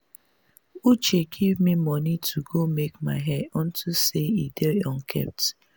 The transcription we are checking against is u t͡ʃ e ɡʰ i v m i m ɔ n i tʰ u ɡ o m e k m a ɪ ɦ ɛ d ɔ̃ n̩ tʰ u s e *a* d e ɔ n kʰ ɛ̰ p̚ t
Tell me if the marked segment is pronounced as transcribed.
no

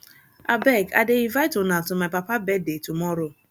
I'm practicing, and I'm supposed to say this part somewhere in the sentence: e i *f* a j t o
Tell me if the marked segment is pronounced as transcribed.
no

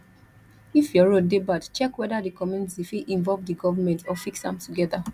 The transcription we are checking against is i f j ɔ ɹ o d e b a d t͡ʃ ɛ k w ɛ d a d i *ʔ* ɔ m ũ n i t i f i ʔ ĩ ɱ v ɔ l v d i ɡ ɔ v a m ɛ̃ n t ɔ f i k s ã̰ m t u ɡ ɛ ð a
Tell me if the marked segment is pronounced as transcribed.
no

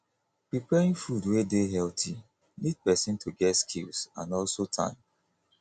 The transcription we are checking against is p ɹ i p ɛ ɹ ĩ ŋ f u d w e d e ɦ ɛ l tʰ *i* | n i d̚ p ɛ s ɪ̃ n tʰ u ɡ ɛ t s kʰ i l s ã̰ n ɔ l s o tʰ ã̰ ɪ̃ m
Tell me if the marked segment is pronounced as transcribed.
yes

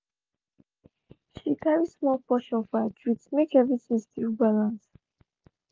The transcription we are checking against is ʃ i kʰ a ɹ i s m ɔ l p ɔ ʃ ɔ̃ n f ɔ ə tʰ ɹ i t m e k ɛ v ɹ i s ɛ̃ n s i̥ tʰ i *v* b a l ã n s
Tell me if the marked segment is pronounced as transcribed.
yes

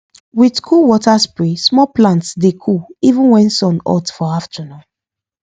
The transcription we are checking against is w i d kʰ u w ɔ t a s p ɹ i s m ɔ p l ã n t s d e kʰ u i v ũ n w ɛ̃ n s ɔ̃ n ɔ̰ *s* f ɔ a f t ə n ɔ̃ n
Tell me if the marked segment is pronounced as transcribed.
no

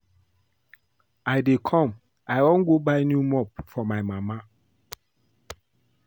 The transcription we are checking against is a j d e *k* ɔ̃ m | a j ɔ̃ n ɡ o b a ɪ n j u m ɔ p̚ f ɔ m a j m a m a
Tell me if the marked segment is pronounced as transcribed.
no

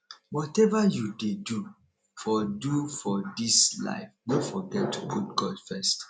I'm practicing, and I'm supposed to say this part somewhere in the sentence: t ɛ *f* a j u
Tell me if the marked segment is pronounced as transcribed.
no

